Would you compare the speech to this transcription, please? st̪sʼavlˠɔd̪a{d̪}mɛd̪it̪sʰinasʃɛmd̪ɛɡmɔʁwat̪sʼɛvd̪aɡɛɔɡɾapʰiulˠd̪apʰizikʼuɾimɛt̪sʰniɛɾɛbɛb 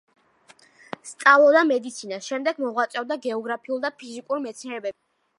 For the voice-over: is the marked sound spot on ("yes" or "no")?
no